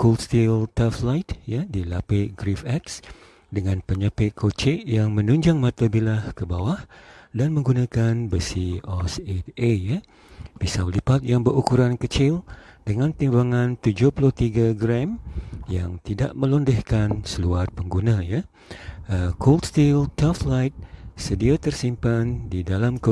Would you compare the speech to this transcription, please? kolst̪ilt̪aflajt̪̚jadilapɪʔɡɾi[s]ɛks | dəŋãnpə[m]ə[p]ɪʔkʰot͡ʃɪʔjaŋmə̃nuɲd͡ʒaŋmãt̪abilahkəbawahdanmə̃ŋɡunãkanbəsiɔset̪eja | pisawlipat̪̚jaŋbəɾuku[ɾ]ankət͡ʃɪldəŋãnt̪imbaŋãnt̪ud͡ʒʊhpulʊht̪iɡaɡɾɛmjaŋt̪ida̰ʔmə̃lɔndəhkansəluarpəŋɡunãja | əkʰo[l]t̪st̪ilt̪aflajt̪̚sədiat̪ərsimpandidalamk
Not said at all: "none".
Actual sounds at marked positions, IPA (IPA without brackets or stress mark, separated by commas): f, ɲ, p, ɾ, l